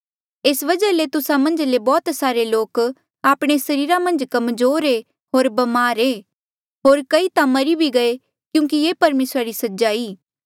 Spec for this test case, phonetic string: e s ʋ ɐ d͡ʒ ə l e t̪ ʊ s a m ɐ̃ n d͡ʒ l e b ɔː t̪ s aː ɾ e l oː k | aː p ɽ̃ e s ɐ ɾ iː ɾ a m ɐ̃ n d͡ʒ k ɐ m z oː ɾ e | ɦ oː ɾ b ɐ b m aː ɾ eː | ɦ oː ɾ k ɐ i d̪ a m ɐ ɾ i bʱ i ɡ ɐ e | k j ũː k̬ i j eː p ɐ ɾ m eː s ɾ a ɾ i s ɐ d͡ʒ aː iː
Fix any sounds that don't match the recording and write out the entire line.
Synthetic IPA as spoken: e s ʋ ɐ d͡ʒ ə l e t̪ ʊ s a m ɐ̃ n d͡ʒ l e b ɔː t̪ s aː ɾ e l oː k | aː p ɽ̃ e s ɐ ɾ iː ɾ a m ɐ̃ n d͡ʒ k ɐ m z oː ɾ e | ɦ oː ɾ b ɐ m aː ɾ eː | ɦ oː ɾ k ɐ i t̪ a m ɐ ɾ i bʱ i ɡ ɐ e | k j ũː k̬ i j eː p ɐ ɾ m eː s ɾ a ɾ i s ɐ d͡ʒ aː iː

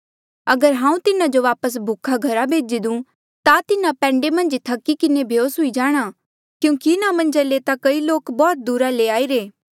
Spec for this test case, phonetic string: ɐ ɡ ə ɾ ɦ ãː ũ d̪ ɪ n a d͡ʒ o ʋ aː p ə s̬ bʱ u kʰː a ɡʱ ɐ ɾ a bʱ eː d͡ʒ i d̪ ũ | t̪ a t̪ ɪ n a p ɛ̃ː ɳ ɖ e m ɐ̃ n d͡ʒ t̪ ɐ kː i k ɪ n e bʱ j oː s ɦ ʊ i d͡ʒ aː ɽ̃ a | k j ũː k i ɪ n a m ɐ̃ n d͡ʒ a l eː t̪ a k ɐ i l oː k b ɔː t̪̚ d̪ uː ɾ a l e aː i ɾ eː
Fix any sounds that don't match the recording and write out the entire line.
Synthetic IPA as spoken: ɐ ɡ ə ɾ ɦ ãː ũ t̪ ɪ n a d͡ʒ o ʋ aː p ə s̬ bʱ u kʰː a ɡʱ ɐ ɾ a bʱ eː d͡ʒ i d̪ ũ | t̪ a t̪ ɪ n a p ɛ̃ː ɳ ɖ e m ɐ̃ n d͡ʒ t̪ʰ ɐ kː i k ɪ n e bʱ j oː s ɦ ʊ i d͡ʒ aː ɽ̃ a | k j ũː k i ɪ n a m ɐ̃ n d͡ʒ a l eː t̪ a k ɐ i l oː k b ɔː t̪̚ d̪ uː ɾ a l e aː i ɾ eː

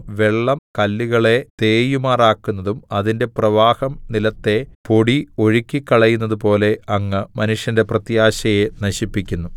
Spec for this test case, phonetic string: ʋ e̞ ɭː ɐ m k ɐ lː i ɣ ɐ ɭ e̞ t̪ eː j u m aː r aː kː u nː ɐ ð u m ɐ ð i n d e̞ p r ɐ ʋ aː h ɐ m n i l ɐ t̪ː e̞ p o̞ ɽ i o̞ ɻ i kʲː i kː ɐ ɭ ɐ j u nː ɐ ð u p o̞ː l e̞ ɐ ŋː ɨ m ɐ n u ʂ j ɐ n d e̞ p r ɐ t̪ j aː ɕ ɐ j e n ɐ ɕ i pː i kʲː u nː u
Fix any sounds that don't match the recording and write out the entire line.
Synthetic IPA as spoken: ʋ e̞ ɭː ɐ m k ɐ lː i ɣ ɐ ɭ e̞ t̪ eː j u m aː r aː kː u nː ɐ ð u m ɐ ð i n d e̞ p r ɐ ʋ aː h ɐ m n i l ɐ t̪ː e̞ p o̞ ɽ i o̞ ɻ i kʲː i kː ɐ ɭ ɐ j u nː ɐ ð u p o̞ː l e̞ ɐ ŋː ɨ m ɐ n u ʂ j ɐ n d e̞ p r ɐ t̪ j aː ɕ ɐ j e n ɐ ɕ i pː i kʲː u nː u

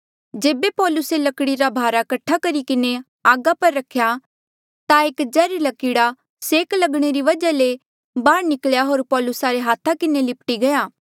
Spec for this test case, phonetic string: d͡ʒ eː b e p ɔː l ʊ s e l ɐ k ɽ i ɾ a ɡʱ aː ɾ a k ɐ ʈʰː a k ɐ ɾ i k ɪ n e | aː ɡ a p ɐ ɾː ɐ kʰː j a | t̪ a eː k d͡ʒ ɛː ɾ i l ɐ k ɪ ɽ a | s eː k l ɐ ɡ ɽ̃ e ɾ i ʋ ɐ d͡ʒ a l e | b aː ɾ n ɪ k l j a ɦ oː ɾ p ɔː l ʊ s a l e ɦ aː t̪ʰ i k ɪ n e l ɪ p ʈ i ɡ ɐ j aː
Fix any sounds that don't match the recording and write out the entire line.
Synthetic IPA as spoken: d͡ʒ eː b e p ɔː l ʊ s e l ɐ k ɽ i ɾ a bʱ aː ɾ a k ɐ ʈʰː a k ɐ ɾ i k ɪ n e | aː ɡ a p ɐ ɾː ɐ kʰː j a | t̪ a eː k d͡ʒ ɛː ɾ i l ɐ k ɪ ɽ a | s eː k l ɐ ɡ ɽ̃ e ɾ i ʋ ɐ d͡ʒ a l e | b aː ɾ n ɪ k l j a ɦ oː ɾ p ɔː l ʊ s a ɾ e ɦ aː t̪ʰ a k ɪ n e l ɪ p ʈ i ɡ ɐ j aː

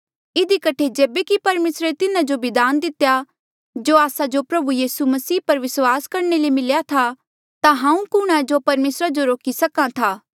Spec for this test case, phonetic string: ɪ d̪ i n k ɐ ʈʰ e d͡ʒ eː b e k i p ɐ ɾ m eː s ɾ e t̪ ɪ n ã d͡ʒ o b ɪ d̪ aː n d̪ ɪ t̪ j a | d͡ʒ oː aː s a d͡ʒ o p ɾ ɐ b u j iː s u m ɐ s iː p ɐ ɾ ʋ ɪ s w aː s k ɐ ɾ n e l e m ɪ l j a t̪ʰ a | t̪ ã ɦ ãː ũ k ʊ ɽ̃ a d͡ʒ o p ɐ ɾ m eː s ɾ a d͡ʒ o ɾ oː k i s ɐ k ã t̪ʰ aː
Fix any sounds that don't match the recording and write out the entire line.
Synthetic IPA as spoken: ɪ d̪ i k ɐ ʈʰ e d͡ʒ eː b e k i p ɐ ɾ m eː s ɾ e t̪ ɪ n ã d͡ʒ o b ɪ d̪ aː n d̪ ɪ t̪ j a | d͡ʒ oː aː s a d͡ʒ o p ɾ ɐ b u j iː s u m ɐ s iː p ɐ ɾ ʋ ɪ s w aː s k ɐ ɾ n e l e m ɪ l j a t̪ʰ a | t̪ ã ɦ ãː ũ k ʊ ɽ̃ a d͡ʒ o p ɐ ɾ m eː s ɾ a d͡ʒ o ɾ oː k i s ɐ k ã t̪ʰ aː

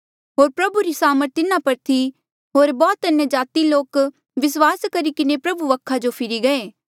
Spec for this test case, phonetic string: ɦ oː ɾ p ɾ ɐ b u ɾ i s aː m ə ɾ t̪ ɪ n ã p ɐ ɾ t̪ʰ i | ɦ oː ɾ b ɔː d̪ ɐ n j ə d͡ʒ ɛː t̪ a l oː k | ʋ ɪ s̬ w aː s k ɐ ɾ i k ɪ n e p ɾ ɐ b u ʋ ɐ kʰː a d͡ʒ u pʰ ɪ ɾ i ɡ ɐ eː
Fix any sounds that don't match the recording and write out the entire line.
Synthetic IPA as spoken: ɦ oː ɾ p ɾ ɐ b u ɾ i s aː m ə ɾ t̪ ɪ n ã p ɐ ɾ t̪ʰ i | ɦ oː ɾ b ɔː t̪ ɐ n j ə d͡ʒ aː t̪ i l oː k | ʋ ɪ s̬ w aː s k ɐ ɾ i k ɪ n e p ɾ ɐ b u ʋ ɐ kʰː a d͡ʒ o pʰ ɪ ɾ i ɡ ɐ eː

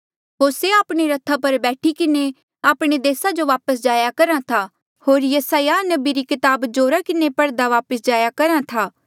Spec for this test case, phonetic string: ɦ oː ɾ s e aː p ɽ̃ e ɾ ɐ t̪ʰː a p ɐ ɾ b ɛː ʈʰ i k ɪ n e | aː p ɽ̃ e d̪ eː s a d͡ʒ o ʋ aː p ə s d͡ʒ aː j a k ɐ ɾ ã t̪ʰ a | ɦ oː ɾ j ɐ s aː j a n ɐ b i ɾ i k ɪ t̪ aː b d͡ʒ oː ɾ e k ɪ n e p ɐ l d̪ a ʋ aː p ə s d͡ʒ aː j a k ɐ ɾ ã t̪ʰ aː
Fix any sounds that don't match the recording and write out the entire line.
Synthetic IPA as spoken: ɦ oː ɾ s e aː p ɽ̃ e ɾ ɐ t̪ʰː a p ɐ ɾ b ɛː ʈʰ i k ɪ n e | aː p ɽ̃ e d̪ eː s a d͡ʒ o ʋ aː p ə s d͡ʒ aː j a k ɐ ɾ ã t̪ʰ a | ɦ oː ɾ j ɐ s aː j a n ɐ b i ɾ i k ɪ t̪ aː b d͡ʒ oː ɾ a k ɪ n e p ɐ ɽ d̪ a ʋ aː p ə s d͡ʒ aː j a k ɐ ɾ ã t̪ʰ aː

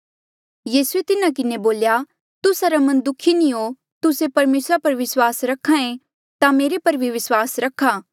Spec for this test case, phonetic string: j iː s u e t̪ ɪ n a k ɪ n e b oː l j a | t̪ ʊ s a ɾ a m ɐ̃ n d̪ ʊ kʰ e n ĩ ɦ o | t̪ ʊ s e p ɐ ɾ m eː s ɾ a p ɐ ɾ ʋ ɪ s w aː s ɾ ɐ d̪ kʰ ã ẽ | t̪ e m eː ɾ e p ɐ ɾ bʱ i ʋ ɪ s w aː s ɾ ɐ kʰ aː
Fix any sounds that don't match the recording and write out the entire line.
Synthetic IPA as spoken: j iː s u e t̪ ɪ n a k ɪ n e b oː l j a | t̪ ʊ s a ɾ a m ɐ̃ n d̪ ʊ kʰ i n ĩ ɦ o | t̪ ʊ s e p ɐ ɾ m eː s ɾ a p ɐ ɾ ʋ ɪ s w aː s ɾ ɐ kʰ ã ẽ | t̪ a m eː ɾ e p ɐ ɾ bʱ i ʋ ɪ s w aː s ɾ ɐ kʰ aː

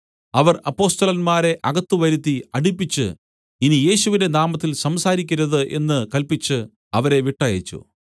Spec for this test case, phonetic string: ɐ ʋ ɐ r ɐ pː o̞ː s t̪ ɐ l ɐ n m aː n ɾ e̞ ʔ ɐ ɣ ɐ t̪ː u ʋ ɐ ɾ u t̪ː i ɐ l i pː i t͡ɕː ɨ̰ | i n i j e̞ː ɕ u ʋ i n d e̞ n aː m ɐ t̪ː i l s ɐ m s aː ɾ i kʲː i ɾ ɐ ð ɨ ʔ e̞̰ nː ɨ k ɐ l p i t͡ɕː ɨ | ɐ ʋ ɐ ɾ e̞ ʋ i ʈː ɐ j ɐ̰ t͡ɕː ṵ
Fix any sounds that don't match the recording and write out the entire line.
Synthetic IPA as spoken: ɐ ʋ ɐ r ɐ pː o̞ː s t̪ ɐ l ɐ n m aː ɾ e̞ ʔ ɐ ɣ ɐ t̪ː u ʋ ɐ ɾ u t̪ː i ɐ ɽ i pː i t͡ɕː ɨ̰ | i n i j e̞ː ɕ u ʋ i n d e̞ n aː m ɐ t̪ː i l s ɐ m s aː ɾ i kʲː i ɾ ɐ ð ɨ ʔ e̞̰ nː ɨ k ɐ l p i t͡ɕː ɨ | ɐ ʋ ɐ ɾ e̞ ʋ i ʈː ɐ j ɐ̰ t͡ɕː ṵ

